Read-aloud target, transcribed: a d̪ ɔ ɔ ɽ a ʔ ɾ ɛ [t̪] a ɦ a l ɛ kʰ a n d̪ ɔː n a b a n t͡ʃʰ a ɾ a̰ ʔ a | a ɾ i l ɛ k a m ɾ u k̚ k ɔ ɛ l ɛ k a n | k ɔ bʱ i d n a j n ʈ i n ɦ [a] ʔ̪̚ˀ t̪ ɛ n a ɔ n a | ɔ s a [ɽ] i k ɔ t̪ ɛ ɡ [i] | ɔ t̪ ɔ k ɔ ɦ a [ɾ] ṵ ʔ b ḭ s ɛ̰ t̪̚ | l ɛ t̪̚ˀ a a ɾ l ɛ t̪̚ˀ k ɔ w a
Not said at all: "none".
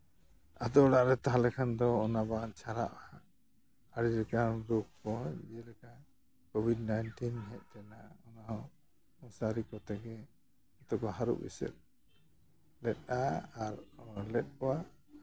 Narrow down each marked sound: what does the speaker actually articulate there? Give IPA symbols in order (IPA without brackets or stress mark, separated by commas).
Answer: t̪, ɛ, ɾ, ɛ, ɾ